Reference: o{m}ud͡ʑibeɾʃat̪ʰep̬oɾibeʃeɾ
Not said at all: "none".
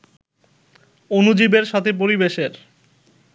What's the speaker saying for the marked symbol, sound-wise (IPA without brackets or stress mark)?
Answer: n